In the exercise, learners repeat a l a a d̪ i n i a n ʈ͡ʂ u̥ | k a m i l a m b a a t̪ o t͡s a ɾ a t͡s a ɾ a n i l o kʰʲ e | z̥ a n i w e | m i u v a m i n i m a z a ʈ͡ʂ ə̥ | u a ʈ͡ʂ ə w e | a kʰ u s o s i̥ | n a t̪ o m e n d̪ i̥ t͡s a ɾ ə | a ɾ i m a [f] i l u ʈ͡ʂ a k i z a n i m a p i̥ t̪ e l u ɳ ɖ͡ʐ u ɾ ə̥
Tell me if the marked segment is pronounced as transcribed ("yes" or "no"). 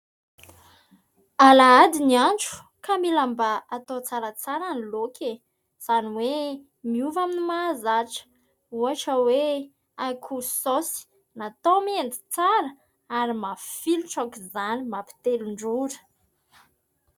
yes